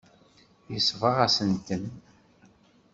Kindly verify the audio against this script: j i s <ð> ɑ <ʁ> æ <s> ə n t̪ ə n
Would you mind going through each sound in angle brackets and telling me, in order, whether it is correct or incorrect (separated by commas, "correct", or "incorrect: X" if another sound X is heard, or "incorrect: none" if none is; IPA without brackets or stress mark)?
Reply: incorrect: v, correct, correct